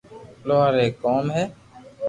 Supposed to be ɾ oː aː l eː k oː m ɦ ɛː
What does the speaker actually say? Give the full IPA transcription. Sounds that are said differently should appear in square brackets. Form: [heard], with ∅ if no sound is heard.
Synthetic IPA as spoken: [l] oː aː [ɾ] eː k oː m ɦ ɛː